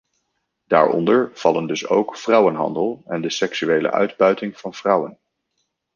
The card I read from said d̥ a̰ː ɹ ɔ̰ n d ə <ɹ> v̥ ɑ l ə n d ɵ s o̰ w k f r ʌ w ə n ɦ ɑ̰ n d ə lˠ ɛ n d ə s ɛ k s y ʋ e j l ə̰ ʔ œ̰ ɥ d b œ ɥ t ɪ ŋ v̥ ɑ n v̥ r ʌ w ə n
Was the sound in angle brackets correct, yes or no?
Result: yes